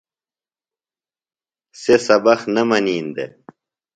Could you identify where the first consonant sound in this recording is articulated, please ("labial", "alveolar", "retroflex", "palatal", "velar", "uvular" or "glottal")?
alveolar